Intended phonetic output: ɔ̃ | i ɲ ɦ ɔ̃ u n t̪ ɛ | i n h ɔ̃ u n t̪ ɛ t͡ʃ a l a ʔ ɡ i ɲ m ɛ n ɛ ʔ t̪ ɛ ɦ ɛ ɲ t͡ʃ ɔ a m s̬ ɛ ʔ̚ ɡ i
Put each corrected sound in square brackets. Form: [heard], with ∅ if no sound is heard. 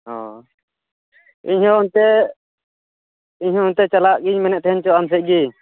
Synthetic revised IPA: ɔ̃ | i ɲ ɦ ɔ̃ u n t̪ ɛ | i [ɲ] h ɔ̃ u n t̪ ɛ t͡ʃ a l a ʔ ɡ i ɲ m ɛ n ɛ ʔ t̪ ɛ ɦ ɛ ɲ t͡ʃ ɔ a m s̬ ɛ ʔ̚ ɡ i